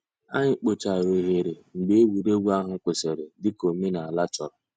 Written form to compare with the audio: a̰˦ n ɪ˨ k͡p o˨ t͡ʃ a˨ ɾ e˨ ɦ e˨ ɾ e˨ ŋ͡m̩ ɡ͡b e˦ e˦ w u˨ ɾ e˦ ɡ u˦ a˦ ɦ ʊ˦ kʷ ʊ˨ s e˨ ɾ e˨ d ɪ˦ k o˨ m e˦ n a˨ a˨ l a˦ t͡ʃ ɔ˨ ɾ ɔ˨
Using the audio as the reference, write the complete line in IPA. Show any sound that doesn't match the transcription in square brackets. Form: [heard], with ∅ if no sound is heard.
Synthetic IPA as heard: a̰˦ [ɲ] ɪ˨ k͡p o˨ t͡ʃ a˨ ɾ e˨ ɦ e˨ ɾ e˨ ŋ͡m̩ ɡ͡b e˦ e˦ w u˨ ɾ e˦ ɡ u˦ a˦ ɦ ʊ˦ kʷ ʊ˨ s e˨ ɾ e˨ d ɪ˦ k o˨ m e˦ n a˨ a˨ l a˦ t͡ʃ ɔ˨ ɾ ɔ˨